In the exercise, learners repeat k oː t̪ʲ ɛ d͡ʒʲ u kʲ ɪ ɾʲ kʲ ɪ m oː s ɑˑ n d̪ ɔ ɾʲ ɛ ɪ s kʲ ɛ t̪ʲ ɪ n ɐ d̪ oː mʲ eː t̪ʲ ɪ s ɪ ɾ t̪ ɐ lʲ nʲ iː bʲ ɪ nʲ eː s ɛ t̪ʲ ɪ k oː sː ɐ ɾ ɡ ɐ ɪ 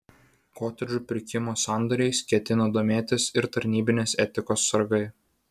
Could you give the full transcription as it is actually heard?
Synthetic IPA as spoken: k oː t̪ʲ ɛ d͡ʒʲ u pʲ ɪ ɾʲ kʲ ɪ m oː s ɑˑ n d̪ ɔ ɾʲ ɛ ɪ s kʲ ɛ t̪ʲ ɪ n ɐ d̪ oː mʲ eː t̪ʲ ɪ s ɪ ɾ t̪ ɐ ɾʲ nʲ iː bʲ ɪ nʲ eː s ɛ t̪ʲ ɪ k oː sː ɐ ɾ ɡ ɐ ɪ